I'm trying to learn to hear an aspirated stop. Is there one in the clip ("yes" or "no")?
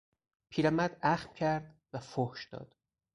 yes